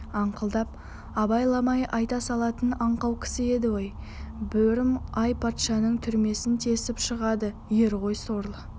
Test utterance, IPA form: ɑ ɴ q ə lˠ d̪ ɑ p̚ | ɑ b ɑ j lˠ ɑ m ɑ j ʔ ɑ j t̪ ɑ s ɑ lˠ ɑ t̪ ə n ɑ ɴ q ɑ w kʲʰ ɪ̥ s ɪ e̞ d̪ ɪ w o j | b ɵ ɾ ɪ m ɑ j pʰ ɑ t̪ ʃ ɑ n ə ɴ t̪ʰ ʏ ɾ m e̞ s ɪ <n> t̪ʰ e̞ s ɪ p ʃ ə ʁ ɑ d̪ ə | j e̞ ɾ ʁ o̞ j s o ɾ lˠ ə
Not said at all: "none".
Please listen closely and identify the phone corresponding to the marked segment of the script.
n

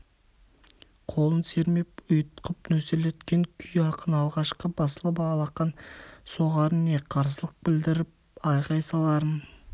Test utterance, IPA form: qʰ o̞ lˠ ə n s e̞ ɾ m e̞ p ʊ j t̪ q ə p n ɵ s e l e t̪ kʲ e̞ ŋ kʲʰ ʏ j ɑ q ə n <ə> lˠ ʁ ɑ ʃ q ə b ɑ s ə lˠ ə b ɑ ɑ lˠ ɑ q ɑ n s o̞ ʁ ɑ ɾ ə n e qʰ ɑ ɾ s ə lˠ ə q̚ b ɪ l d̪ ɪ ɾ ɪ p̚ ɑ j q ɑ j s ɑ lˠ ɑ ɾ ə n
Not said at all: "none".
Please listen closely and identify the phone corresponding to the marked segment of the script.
ɑ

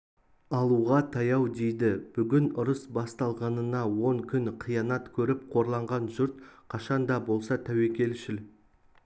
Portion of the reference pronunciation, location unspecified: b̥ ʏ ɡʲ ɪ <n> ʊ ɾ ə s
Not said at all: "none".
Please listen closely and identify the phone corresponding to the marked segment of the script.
n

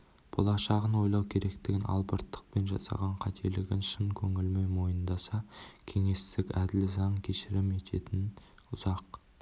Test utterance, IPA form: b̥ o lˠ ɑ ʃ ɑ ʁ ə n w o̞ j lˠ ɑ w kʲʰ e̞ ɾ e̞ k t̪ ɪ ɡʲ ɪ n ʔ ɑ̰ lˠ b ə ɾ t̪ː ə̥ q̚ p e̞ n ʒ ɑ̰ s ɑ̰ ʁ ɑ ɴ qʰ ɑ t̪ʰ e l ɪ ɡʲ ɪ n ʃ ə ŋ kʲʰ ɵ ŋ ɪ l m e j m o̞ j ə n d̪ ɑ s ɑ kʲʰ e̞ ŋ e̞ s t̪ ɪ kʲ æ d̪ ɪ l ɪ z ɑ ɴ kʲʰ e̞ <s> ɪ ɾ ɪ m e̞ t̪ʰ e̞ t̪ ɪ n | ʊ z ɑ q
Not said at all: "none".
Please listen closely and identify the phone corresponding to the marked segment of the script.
ʃ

